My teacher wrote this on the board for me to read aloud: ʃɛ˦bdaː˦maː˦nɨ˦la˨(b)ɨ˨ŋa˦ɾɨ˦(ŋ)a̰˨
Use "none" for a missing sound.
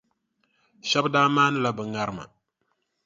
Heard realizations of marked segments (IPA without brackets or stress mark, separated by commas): b, m